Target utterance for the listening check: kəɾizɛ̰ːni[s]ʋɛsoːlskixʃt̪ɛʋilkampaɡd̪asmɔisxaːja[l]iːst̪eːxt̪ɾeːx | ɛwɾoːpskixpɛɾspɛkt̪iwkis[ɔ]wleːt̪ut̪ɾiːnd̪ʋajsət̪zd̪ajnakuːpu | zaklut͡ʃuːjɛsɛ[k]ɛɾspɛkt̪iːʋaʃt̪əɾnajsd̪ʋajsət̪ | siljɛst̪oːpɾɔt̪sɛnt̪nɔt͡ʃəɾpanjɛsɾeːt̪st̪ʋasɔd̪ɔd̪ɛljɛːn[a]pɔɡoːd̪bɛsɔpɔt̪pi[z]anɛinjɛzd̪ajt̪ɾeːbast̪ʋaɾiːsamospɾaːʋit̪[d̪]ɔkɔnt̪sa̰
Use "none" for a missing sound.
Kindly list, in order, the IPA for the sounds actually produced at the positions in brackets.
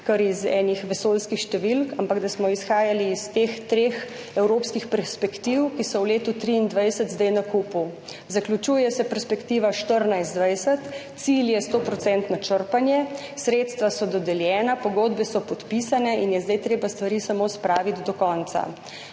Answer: x, l, ɔ, p, a, s, d̪

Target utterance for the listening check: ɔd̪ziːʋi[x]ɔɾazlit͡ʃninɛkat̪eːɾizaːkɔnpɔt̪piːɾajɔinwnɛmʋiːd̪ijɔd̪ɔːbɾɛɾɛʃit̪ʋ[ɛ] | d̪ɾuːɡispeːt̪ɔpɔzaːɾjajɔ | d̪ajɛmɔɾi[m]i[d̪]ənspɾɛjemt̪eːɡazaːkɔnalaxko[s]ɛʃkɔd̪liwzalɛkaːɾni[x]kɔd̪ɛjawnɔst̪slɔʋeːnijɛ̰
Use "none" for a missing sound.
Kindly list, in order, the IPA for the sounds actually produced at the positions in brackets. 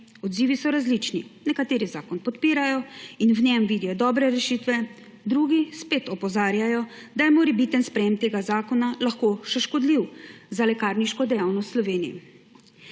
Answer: s, ɛ, b, t̪, ʃ, ʃ

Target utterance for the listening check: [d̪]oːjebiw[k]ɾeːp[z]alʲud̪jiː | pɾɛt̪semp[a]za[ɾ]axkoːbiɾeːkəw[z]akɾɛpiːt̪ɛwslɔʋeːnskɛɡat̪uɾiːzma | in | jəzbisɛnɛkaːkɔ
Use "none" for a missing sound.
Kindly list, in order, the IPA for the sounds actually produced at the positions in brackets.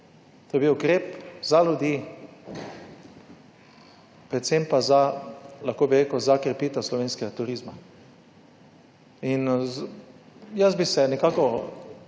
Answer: t̪, k, z, a, l, z

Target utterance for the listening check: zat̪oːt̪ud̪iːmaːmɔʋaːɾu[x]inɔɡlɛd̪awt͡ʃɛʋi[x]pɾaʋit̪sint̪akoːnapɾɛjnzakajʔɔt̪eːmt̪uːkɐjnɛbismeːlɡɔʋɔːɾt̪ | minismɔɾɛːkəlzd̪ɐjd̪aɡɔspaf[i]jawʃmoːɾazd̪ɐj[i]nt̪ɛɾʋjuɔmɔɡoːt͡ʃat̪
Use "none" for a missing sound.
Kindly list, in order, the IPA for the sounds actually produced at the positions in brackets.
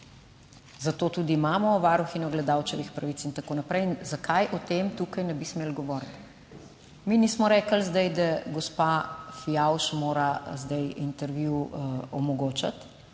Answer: x, x, i, i

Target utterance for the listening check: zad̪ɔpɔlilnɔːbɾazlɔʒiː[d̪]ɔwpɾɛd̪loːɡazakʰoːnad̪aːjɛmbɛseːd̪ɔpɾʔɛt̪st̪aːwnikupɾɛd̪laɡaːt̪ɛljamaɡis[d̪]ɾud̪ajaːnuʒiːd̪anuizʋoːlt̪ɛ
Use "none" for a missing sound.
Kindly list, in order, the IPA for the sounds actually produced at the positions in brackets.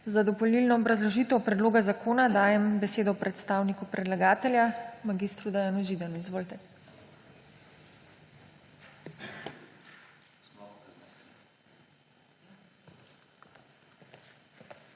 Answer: t̪, t̪

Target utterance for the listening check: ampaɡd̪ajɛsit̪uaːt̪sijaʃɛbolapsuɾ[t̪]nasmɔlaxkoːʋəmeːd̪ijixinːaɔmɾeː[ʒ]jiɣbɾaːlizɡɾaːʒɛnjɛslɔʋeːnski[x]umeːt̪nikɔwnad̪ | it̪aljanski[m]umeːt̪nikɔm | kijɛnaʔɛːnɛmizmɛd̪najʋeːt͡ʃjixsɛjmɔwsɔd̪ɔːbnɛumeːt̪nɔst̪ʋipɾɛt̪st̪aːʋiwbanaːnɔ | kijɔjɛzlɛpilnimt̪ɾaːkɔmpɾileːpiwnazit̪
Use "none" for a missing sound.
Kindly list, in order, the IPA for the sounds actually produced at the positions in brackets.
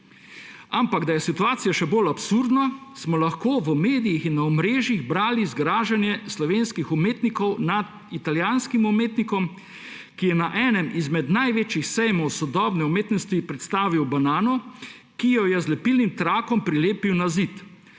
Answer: d̪, ʒ, x, m

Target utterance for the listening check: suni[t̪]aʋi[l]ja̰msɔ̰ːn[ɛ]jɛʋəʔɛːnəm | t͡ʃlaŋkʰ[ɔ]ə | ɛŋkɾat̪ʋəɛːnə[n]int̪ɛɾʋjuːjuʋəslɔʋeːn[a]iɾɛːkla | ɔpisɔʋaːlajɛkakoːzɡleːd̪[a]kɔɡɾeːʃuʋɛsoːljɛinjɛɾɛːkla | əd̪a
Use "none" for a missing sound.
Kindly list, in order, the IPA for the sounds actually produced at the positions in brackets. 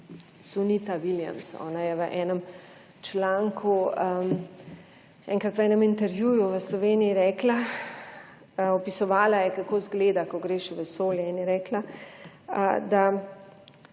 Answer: t̪, l, a, u, m, i, a

